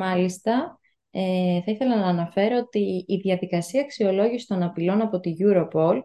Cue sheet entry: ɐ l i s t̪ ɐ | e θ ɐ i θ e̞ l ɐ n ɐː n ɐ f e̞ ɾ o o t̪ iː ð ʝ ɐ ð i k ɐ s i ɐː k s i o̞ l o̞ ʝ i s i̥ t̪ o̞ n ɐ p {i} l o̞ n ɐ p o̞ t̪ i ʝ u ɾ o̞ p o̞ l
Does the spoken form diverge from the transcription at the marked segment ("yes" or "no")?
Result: no